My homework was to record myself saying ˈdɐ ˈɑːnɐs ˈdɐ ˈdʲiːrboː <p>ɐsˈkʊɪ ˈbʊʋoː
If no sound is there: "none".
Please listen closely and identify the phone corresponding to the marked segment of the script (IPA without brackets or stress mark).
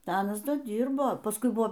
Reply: p